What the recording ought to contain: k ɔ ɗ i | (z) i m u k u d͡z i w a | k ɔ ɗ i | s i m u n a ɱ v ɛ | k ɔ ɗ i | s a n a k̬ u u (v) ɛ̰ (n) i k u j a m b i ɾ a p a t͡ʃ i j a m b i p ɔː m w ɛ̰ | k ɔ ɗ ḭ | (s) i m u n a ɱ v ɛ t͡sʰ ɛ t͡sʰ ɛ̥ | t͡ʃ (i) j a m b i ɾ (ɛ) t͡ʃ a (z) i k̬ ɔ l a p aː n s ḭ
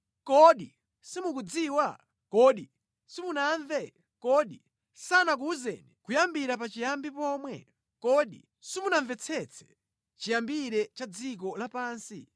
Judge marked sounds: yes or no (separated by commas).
no, no, yes, yes, yes, yes, no